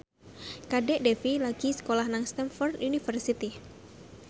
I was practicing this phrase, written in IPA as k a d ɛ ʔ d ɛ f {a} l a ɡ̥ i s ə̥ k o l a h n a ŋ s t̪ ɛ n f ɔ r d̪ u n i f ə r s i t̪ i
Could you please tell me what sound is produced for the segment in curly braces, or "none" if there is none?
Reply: i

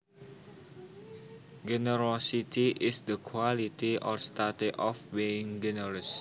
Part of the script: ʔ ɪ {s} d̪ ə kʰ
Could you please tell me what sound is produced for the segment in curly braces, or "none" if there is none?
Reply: s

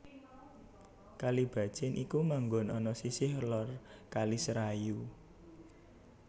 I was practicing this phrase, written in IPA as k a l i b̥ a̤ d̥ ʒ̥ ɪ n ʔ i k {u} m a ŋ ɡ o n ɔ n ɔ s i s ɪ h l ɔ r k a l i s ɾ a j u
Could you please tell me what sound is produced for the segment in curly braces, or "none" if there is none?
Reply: u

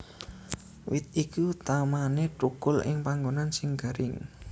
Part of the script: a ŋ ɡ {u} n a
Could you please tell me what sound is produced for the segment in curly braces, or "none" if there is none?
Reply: o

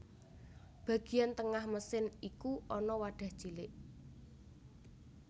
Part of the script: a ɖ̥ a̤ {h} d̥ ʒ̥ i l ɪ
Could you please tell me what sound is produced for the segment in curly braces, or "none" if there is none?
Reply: h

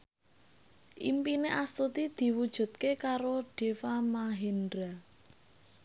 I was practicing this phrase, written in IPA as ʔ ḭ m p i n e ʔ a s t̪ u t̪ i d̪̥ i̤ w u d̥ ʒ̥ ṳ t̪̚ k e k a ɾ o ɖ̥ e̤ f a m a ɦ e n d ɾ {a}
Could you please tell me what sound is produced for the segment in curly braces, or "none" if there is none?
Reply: a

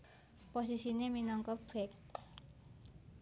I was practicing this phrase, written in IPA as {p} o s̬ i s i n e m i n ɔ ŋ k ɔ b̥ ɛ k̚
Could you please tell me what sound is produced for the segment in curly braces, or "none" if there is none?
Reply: p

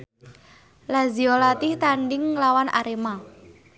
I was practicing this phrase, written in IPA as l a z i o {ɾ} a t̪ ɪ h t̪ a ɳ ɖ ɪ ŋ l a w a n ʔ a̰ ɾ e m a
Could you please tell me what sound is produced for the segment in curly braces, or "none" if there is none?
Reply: l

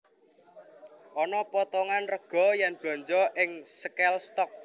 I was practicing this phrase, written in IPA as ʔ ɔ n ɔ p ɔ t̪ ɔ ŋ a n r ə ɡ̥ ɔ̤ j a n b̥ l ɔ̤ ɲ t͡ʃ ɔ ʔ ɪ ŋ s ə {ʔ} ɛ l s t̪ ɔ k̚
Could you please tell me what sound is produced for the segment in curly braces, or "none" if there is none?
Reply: k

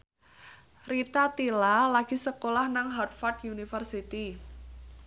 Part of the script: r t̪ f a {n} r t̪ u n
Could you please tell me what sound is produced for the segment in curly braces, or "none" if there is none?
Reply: none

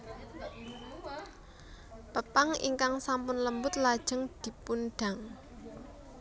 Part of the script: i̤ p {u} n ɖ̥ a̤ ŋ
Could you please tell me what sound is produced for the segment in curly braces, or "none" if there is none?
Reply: u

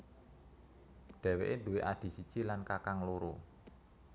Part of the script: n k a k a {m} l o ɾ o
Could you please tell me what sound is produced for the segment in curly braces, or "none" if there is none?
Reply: ŋ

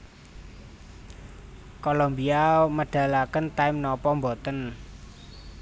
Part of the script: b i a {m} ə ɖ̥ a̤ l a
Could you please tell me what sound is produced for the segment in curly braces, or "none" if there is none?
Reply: m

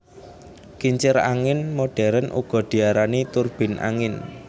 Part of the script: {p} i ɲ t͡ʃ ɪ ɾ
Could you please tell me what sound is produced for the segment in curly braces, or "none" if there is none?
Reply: k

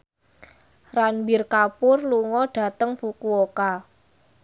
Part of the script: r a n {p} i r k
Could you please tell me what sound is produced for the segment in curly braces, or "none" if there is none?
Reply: b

